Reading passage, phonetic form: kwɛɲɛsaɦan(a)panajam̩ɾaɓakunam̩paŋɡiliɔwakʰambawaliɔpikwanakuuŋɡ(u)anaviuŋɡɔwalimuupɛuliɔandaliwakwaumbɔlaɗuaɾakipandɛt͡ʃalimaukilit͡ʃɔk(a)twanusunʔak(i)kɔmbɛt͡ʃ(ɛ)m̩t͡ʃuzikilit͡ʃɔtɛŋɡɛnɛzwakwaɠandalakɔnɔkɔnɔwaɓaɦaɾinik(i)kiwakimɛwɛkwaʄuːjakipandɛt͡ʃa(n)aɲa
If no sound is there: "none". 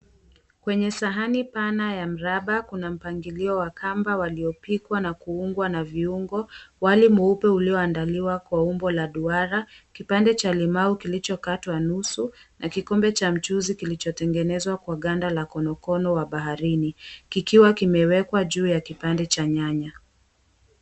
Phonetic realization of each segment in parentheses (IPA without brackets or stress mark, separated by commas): i, w, a, i, a, i, ɲ